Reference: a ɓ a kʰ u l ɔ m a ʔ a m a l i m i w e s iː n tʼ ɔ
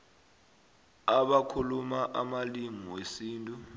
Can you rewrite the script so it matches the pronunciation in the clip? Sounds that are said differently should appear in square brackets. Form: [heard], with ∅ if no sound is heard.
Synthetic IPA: a ɓ a kʰ u l [u] m a ʔ a m a l i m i w e s iː n tʼ [u]